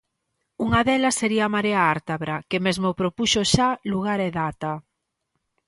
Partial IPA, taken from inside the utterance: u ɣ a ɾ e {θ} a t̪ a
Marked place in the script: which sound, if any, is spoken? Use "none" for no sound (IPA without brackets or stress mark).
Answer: ð